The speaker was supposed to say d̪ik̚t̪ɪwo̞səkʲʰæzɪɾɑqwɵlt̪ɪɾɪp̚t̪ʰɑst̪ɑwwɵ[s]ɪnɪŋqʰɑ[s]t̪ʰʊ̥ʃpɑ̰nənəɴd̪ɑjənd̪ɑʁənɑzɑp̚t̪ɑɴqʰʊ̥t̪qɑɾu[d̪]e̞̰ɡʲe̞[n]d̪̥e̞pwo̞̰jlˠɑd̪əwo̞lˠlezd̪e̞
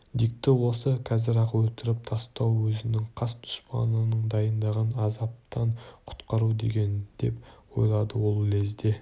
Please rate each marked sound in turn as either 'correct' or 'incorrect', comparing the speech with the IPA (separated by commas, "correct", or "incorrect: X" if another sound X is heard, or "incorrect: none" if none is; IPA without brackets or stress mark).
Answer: incorrect: z, correct, correct, correct